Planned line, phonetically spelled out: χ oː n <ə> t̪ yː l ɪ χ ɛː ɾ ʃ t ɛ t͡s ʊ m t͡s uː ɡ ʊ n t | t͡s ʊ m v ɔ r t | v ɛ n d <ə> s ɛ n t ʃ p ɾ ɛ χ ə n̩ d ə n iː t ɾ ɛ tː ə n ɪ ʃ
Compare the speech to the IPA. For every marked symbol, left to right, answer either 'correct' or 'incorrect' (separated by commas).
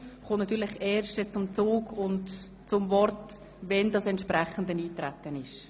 incorrect, incorrect